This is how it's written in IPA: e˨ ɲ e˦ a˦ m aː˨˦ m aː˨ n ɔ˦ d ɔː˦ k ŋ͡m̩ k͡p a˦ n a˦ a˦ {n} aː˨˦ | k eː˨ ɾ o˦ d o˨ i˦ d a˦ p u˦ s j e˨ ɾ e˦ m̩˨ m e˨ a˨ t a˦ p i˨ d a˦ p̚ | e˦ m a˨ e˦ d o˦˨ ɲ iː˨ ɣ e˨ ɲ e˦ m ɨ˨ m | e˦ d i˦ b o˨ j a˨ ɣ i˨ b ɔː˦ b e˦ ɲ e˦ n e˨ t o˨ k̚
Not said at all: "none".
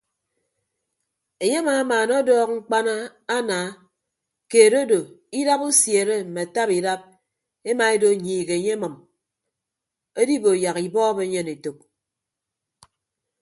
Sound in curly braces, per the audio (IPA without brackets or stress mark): n